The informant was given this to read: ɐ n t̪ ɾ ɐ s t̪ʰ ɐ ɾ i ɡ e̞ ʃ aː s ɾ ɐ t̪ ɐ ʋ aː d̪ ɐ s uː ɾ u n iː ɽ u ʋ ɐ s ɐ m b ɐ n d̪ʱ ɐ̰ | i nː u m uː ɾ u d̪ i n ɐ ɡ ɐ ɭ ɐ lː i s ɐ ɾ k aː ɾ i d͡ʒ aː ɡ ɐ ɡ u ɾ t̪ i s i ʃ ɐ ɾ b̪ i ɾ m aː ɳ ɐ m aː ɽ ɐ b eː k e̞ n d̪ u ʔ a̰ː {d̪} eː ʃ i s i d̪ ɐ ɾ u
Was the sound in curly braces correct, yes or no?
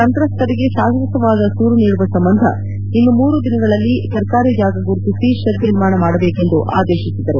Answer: yes